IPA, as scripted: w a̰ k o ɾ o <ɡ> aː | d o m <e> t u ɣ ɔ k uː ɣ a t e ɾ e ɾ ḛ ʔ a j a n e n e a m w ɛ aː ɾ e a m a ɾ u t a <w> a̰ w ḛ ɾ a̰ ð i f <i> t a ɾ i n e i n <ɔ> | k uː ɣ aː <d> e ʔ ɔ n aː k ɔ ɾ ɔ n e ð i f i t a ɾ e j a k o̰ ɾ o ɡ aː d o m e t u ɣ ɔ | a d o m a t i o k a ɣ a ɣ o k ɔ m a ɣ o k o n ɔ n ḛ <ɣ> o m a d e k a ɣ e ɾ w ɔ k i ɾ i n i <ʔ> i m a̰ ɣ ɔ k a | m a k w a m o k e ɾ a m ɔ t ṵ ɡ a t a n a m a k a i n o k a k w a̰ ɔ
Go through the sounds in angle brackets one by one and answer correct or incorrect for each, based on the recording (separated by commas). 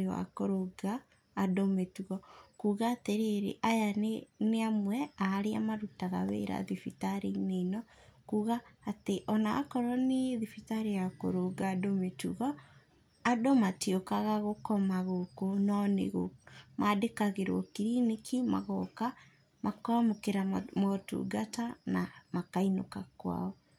correct, correct, incorrect, correct, correct, incorrect, correct, incorrect